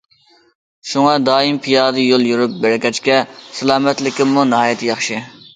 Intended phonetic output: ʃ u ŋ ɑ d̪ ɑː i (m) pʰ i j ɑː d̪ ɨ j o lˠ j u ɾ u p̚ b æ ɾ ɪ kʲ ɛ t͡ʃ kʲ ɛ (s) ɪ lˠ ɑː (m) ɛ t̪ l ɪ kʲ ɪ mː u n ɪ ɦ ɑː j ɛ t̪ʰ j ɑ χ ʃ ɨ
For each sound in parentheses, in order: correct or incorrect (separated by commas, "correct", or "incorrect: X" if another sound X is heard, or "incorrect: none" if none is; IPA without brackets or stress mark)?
correct, correct, correct